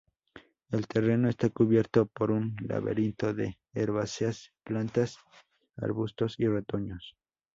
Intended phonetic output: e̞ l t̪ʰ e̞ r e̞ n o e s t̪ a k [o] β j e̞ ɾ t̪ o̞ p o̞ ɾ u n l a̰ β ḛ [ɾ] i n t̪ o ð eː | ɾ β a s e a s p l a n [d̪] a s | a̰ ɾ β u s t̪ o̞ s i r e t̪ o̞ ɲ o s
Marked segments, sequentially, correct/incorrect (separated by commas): incorrect, correct, incorrect